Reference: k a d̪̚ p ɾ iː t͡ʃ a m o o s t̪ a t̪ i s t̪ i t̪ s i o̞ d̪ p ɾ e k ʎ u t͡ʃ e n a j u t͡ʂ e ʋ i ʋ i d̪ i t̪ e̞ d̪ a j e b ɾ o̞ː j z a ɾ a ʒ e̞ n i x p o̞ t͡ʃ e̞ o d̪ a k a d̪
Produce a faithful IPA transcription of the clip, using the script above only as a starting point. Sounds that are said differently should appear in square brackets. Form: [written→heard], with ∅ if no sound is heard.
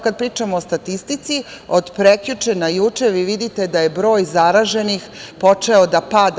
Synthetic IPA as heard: k a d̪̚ p ɾ iː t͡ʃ a m o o s t̪ a t̪ i s t̪ i t̪ s i o̞ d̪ p ɾ e k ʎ u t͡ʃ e n a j u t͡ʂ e ʋ i ʋ i d̪ i t̪ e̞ d̪ a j e b ɾ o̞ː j z a ɾ a ʒ e̞ n i x p o̞ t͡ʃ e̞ o d̪ a [k→p] a d̪